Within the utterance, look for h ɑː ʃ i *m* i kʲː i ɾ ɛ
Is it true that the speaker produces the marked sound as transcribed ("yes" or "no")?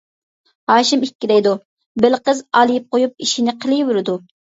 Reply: yes